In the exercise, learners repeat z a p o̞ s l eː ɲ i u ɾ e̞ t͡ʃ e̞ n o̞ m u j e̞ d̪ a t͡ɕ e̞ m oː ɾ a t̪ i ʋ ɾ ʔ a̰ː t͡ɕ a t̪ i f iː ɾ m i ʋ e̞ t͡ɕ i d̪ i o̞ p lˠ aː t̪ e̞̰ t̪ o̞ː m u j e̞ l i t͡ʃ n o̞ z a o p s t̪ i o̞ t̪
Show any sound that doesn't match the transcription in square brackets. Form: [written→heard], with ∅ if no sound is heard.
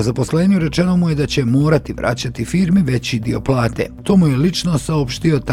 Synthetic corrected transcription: z a p o̞ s l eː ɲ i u ɾ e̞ t͡ʃ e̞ n o̞ m u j e̞ d̪ a t͡ɕ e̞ m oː ɾ a t̪ i ʋ ɾ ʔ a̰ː t͡ɕ a t̪ i f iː ɾ m i ʋ e̞ t͡ɕ i d̪ i o̞ p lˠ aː t̪ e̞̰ t̪ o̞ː m u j e̞ l i t͡ʃ n o̞ [z→s] a o p [s→ʃ] t̪ i o̞ t̪